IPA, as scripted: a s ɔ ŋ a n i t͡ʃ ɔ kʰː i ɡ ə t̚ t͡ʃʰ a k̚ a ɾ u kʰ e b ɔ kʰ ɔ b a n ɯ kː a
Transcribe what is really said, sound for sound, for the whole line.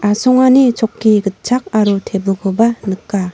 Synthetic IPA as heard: a s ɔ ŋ a n i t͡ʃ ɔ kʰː i ɡ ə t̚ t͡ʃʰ a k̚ a ɾ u tʰ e b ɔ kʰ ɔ b a n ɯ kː a